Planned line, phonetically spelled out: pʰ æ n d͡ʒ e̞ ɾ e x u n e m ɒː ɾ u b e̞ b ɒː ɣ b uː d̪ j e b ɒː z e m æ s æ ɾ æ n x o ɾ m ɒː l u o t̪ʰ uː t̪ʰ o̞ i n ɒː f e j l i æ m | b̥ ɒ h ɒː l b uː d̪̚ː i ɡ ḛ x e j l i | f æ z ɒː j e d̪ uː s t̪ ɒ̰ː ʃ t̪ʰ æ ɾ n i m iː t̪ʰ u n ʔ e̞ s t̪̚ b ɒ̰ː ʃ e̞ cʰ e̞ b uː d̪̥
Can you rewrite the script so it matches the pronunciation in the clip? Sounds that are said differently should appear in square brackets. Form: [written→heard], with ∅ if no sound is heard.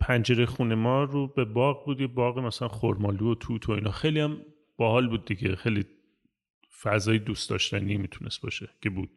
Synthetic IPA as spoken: pʰ æ n d͡ʒ e̞ ɾ e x u n e m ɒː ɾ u b e̞ b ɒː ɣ b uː d̪ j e b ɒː [z→ɣ] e m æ s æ [ɾ→l] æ n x o ɾ m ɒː l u o t̪ʰ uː t̪ʰ o̞ i n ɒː [f→x] e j l i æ m | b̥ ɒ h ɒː l b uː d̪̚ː i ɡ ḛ x e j l i | f æ z ɒː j e d̪ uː s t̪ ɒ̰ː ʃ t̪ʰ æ [ɾ→∅] n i m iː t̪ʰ u n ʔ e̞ s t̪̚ b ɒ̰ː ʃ e̞ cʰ e̞ b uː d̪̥